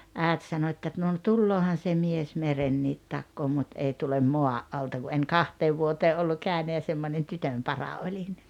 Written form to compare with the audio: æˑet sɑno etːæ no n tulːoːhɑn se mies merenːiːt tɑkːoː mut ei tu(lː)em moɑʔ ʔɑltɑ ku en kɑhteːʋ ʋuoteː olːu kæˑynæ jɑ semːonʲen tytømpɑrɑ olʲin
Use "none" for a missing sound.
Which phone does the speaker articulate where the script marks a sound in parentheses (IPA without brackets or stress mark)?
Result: l